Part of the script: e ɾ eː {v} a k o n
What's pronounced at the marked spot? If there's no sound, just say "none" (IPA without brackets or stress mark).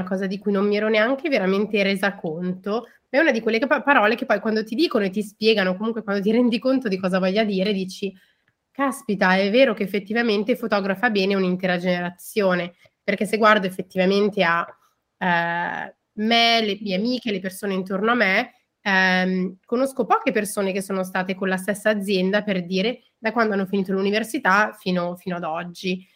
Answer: z